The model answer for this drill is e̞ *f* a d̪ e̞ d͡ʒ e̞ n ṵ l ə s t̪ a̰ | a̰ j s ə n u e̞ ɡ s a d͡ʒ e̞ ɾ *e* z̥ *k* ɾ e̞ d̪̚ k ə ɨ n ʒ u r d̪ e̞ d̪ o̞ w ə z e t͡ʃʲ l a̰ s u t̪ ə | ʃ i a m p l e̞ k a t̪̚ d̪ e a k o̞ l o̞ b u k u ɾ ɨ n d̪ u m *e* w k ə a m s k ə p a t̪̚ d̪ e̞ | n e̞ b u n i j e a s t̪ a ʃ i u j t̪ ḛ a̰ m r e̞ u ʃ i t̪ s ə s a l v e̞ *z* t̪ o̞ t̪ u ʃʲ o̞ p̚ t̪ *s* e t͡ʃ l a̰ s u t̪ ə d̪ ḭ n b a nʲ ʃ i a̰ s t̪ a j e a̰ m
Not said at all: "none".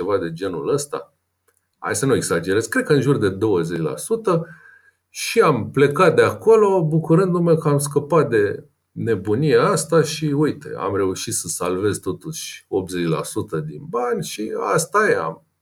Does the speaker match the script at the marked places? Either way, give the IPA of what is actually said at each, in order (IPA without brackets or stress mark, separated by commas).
v, e, k, e, z, z